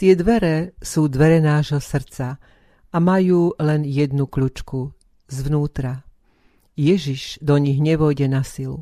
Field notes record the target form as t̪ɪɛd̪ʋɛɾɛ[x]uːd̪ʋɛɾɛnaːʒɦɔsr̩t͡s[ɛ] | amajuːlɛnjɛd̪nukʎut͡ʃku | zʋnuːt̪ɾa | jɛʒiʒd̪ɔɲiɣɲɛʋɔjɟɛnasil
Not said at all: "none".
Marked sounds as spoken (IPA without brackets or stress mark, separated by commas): s, a